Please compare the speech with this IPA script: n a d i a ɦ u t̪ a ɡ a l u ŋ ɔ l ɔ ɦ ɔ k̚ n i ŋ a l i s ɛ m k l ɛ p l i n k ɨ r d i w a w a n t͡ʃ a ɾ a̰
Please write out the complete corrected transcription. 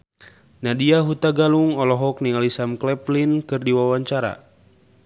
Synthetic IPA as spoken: n a d i a ɦ u t̪ a ɡ a l u ŋ ɔ l ɔ ɦ ɔ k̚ n i ŋ a l i s a m k l ɛ p l i n k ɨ r d i w a w a ɲ t͡ʃ a ɾ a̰

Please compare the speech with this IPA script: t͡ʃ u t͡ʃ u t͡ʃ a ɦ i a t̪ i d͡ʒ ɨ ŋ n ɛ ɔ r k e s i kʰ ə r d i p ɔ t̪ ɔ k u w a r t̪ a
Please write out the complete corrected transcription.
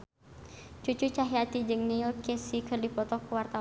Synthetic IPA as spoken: t͡ʃ u t͡ʃ u t͡ʃ a ɦ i a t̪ i d͡ʒ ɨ ŋ n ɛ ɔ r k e s i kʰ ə r d i p ɔ t̪ ɔ k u w a r t̪ a

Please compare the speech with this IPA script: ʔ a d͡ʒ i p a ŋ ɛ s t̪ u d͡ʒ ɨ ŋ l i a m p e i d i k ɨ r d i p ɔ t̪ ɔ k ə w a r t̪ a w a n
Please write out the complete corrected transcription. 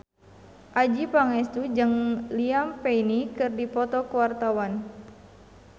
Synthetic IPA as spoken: ʔ a d͡ʒ i p a ŋ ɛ s t̪ u d͡ʒ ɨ ŋ l i a m p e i n i k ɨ r d i p ɔ t̪ ɔ k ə w a r t̪ a w a n

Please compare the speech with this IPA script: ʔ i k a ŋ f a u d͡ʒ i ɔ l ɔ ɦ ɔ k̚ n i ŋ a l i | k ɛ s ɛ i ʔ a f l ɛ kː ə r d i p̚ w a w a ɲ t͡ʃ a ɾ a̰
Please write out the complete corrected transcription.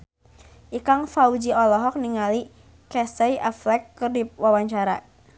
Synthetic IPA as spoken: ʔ i k a ŋ f a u d͡ʒ i ɔ l ɔ ɦ ɔ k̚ n i ŋ a l i | k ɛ s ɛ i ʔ a f l ɛ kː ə r d i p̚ w a w a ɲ t͡ʃ a ɾ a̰

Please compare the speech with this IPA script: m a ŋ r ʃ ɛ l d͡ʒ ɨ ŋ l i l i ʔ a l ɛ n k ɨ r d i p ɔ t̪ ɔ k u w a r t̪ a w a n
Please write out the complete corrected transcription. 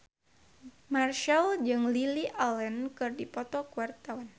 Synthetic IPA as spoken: m a r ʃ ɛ l d͡ʒ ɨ ŋ l i l i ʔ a l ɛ n k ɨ r d i p ɔ t̪ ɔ k u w a r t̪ a w a n

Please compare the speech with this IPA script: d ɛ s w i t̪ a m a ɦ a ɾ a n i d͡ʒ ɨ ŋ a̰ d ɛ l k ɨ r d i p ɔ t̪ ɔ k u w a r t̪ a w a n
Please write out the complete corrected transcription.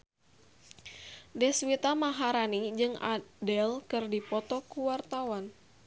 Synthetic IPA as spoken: d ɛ s w i t̪ a m a ɦ a ɾ a n i d͡ʒ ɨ ŋ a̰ d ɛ l k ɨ r d i p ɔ t̪ ɔ k u w a r t̪ a w a n

